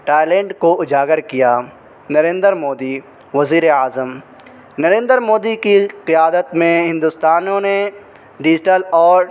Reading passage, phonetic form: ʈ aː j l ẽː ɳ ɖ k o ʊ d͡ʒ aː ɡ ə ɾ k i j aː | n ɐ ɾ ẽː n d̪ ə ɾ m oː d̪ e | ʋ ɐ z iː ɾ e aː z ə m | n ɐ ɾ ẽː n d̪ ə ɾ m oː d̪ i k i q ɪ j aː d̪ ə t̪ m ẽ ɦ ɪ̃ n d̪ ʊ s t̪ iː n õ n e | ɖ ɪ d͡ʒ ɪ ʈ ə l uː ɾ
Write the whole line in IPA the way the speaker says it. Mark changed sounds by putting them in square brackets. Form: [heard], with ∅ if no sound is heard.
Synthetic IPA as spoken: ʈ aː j l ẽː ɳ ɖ k o ʊ d͡ʒ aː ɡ ə ɾ k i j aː | n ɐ ɾ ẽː n d̪ ə ɾ m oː d̪ [i] | ʋ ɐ z iː ɾ e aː z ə m | n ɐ ɾ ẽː n d̪ ə ɾ m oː d̪ i k i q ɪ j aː d̪ ə t̪ m ẽ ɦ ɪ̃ n d̪ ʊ s t̪ [aː] n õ n e | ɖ ɪ d͡ʒ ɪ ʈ ə l [ɔː] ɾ

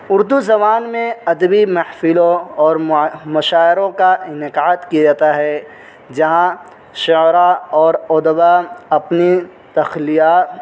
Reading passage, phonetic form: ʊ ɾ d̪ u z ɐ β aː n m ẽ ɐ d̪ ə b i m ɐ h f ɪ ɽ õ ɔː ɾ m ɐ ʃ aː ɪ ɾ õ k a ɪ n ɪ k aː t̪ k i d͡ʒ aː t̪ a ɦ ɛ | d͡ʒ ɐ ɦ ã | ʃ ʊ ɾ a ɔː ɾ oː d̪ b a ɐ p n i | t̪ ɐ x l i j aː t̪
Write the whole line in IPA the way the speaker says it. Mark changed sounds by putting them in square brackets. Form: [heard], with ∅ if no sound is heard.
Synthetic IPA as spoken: ʊ ɾ d̪ u z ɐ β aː n m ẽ ɐ d̪ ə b i m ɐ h f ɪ [l] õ ɔː ɾ m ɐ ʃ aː ɪ ɾ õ k a ɪ n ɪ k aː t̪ k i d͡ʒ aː t̪ a ɦ ɛ | d͡ʒ ɐ ɦ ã | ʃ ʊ ɾ a ɔː ɾ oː d̪ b a ɐ p n i | t̪ ɐ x l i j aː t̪

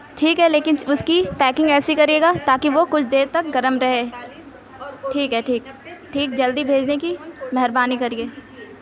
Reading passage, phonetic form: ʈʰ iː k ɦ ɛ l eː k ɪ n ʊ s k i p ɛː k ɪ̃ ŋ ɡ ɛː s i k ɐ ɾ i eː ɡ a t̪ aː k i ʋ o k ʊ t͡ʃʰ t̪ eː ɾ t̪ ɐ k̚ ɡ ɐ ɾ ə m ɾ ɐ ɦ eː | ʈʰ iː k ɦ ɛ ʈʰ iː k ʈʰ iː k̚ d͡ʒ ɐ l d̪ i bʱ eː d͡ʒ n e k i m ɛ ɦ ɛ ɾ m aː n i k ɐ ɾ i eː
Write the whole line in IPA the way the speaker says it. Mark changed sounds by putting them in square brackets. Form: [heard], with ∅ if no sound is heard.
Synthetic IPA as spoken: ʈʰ iː k ɦ ɛ l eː k ɪ n ʊ s k i p ɛː k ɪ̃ ŋ ɡ ɛː s i k ɐ ɾ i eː ɡ a t̪ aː k i ʋ o k ʊ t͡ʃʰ [d̪] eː ɾ t̪ ɐ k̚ ɡ ɐ ɾ ə m ɾ ɐ ɦ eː | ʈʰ iː k ɦ ɛ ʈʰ iː k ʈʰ iː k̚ d͡ʒ ɐ l d̪ i bʱ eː d͡ʒ n e k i m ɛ ɦ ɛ ɾ [b] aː n i k ɐ ɾ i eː

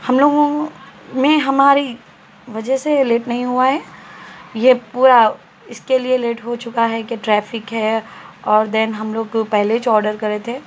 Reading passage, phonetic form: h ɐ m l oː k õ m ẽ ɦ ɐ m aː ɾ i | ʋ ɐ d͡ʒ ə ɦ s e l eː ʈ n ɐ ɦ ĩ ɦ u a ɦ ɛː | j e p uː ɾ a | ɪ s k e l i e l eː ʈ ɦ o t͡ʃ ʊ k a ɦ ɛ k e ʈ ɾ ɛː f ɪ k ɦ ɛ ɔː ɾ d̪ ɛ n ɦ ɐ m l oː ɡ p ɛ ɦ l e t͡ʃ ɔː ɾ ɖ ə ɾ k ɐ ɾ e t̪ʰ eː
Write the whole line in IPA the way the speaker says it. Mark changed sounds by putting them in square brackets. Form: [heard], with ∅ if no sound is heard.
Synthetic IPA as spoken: h ɐ m l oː [ɡ] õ m ẽ ɦ ɐ m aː ɾ i | ʋ ɐ d͡ʒ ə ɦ s e l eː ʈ n ɐ ɦ ĩ ɦ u a ɦ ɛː | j e p uː ɾ a | ɪ s k e l i e l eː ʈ ɦ o t͡ʃ ʊ k a ɦ ɛ k e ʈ ɾ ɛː f ɪ k ɦ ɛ ɔː ɾ d̪ ɛ n ɦ ɐ m l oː ɡ p ɛ ɦ l e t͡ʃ ɔː ɾ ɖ ə ɾ k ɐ ɾ e t̪ʰ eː

